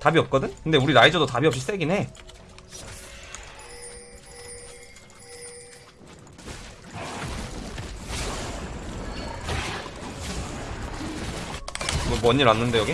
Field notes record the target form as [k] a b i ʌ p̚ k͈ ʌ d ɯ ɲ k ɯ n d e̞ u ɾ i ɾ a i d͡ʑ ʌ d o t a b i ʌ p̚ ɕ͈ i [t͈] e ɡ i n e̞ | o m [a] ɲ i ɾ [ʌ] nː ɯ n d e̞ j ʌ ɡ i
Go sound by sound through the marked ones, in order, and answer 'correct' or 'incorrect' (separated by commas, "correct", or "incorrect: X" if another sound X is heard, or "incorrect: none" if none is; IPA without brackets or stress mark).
incorrect: t, incorrect: s͈, incorrect: ʌ, incorrect: a